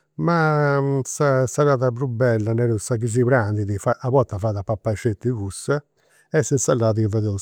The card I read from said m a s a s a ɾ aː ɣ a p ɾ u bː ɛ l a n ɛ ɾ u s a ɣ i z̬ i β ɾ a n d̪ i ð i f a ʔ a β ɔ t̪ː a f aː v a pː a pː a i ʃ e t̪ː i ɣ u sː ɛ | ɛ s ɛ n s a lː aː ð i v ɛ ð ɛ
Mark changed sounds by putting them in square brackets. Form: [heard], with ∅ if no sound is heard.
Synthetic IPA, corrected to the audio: m a s a s a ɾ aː [ð] a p ɾ u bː ɛ [lː] a n ɛ ɾ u s a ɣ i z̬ i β ɾ a n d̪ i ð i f a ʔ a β ɔ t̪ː a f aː [ð] a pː a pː a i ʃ e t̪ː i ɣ u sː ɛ | ɛ s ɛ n s a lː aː ð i v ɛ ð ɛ